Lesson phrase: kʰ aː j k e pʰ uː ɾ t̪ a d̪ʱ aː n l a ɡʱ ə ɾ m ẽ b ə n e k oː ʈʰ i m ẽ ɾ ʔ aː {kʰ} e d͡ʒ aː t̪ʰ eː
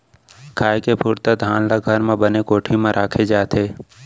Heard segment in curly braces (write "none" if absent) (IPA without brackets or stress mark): kʰ